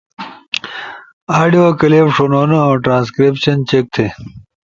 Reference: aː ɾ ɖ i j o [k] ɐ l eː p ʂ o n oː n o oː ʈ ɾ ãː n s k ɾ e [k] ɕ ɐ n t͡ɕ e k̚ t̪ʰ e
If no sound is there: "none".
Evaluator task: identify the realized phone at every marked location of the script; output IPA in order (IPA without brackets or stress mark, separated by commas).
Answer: k, p